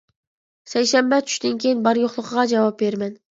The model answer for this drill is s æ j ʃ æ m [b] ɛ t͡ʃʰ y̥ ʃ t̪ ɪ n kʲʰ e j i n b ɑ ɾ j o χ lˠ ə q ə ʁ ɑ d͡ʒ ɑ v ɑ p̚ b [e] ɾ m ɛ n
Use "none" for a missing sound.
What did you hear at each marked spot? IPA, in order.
b, e

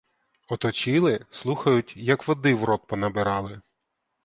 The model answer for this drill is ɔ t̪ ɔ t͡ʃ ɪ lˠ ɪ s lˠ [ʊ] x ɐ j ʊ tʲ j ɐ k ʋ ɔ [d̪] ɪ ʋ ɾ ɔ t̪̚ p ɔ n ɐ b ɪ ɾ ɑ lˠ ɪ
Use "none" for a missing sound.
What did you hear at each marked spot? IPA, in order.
u, d̪

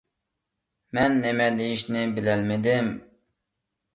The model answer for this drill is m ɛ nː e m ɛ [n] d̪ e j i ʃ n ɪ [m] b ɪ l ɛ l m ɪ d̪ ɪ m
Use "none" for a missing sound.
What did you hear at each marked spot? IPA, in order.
none, none

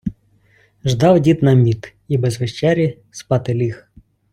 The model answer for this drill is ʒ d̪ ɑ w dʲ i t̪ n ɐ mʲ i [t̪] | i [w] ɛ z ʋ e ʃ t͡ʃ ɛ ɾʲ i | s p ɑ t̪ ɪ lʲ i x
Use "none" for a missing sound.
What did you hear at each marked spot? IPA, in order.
t̪, b

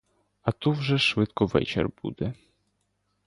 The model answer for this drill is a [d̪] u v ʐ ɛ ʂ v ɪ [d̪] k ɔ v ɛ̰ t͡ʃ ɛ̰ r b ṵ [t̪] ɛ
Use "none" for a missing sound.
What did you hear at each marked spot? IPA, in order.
t̪, t̪, d̪

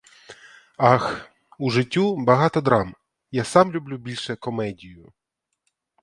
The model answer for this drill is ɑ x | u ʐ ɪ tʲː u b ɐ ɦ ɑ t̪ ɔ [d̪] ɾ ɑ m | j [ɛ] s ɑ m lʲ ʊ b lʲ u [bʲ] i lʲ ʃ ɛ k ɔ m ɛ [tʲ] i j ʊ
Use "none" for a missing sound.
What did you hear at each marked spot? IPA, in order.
d̪, a, bʲ, dʲ

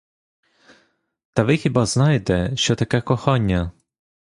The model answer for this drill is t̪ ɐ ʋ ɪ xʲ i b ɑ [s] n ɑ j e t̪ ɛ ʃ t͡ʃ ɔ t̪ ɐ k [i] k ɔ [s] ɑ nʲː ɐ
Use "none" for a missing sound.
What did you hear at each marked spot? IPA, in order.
z, ɛ, x

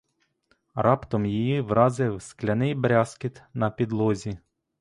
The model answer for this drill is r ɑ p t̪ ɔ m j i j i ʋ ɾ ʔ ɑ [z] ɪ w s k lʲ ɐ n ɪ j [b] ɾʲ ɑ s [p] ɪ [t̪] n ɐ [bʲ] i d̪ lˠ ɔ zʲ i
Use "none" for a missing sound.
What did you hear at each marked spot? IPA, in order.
z, b, k, t̪, pʲ

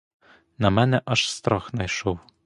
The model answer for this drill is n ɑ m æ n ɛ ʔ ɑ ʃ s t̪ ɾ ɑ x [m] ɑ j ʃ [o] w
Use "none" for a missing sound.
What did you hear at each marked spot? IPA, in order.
n, o

